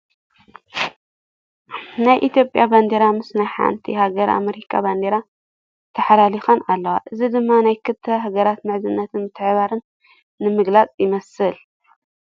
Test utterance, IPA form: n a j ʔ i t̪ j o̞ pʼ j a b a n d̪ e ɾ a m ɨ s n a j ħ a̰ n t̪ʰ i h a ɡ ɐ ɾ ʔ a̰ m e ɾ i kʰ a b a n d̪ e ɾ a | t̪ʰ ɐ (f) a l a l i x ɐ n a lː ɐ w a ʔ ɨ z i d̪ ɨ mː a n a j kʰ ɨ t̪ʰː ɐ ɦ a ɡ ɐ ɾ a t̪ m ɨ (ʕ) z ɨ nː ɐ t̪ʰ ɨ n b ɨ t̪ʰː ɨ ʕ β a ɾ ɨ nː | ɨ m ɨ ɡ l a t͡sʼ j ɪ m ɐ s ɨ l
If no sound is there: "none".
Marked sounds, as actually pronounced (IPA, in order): ħ, ʕ

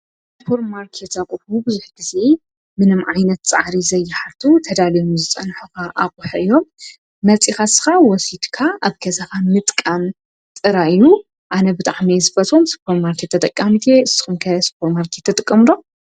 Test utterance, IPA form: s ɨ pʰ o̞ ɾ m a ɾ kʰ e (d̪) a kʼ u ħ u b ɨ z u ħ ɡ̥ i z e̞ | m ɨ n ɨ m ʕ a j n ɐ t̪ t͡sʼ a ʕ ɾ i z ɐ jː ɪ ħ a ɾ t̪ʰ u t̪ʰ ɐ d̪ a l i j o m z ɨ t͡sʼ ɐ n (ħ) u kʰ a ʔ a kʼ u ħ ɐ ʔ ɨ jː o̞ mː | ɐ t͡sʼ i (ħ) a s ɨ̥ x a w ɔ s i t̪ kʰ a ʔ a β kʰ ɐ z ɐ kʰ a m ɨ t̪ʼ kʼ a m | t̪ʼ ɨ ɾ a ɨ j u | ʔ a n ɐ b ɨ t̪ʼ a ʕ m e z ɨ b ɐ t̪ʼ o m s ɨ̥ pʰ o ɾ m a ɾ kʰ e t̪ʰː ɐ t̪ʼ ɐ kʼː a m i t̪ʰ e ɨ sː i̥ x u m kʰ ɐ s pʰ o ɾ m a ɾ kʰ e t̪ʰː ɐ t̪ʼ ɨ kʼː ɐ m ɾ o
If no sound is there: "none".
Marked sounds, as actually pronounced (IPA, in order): t̪, ħ, x

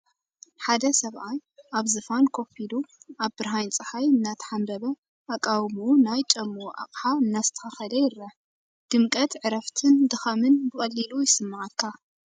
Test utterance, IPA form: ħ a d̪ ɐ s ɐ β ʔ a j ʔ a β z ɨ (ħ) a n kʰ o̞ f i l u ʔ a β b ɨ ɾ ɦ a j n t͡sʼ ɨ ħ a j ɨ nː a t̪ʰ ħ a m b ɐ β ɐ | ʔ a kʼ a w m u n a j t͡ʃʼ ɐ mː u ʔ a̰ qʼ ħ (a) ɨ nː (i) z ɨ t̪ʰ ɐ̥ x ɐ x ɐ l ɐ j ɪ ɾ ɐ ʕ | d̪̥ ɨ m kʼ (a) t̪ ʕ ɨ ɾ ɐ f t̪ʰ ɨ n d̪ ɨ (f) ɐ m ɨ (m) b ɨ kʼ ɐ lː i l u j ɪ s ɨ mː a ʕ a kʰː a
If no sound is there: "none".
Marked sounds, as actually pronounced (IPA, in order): f, a, a, ɐ, x, n

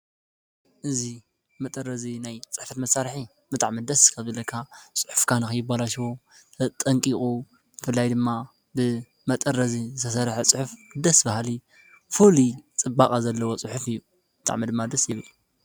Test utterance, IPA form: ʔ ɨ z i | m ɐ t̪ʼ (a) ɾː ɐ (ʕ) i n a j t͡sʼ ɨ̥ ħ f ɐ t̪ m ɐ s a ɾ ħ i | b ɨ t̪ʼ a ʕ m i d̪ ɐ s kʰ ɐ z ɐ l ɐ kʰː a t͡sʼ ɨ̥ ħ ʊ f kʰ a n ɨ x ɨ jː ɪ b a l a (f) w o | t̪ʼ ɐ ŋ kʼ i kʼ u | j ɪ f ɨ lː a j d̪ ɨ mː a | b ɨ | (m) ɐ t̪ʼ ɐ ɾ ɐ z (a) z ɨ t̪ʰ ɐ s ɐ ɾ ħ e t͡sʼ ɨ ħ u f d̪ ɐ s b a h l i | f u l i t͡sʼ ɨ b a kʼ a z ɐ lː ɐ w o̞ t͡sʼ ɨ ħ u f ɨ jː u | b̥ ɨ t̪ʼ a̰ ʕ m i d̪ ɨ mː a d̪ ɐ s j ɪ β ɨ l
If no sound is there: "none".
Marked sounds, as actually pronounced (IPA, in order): ɐ, z, ʃ, m, i

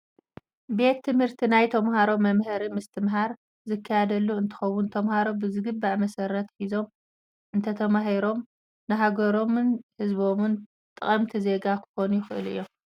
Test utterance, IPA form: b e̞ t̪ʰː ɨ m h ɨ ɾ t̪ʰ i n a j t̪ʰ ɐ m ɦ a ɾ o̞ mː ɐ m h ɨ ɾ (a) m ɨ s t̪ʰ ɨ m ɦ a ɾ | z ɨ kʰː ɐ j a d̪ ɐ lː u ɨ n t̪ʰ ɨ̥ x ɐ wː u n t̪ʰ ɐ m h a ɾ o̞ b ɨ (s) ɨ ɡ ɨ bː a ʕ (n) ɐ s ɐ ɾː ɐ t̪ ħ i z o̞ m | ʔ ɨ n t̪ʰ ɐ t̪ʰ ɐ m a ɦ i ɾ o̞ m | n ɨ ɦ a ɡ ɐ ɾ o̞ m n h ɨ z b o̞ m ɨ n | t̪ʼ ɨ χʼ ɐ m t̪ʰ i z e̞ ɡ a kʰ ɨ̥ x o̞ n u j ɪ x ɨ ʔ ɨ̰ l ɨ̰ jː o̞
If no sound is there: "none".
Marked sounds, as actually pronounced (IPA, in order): i, z, m

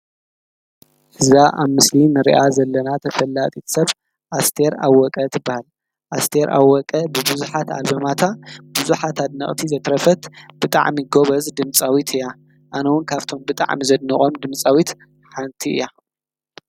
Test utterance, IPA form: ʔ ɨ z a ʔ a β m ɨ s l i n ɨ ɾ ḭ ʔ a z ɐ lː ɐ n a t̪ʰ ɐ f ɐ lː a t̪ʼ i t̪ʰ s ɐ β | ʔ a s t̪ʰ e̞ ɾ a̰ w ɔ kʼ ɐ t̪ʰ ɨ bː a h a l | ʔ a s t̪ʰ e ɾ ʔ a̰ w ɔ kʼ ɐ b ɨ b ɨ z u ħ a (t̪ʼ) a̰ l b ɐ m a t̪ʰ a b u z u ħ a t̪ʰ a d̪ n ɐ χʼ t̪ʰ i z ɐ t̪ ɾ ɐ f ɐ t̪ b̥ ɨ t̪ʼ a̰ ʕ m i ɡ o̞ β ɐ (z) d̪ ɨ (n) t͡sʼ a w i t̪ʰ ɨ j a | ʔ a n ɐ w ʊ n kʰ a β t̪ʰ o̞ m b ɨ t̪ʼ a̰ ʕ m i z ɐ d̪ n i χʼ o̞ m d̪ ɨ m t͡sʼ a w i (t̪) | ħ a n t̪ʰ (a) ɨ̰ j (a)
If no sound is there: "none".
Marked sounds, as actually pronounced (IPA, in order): t̪, z, m, t̪, i, a

